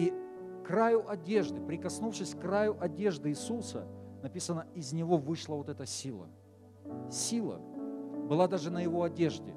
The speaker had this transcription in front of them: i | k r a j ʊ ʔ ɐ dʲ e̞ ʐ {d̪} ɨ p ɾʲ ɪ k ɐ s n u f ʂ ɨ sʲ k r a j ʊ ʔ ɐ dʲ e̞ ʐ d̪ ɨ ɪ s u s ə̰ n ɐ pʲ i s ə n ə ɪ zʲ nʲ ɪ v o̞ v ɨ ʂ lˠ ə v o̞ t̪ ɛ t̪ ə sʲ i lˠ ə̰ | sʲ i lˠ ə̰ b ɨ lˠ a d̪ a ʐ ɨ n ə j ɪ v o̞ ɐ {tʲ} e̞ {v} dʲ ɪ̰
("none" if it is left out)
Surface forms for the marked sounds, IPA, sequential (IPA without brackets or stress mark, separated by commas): d̪, dʲ, ʐ